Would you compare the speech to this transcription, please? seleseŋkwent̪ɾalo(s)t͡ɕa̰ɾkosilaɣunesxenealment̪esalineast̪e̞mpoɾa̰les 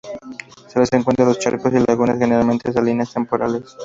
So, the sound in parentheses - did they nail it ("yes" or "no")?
yes